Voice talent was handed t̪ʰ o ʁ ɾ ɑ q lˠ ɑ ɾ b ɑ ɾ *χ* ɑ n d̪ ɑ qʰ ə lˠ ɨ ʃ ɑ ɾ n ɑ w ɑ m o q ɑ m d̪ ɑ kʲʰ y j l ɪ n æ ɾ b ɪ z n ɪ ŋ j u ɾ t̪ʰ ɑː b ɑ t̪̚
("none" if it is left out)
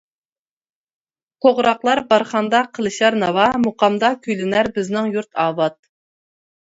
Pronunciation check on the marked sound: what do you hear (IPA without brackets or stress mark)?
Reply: χ